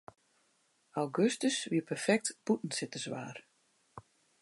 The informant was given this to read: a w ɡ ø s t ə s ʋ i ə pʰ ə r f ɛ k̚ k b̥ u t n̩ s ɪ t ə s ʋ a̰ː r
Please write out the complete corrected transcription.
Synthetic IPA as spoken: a w ɡ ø s t ə s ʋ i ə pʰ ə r f ɛ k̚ t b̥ u t n̩ s ɪ t ə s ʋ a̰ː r